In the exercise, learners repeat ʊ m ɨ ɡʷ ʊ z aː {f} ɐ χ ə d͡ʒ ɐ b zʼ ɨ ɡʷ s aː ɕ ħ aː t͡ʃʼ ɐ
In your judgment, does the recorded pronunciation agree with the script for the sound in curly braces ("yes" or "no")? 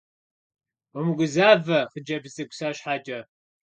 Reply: no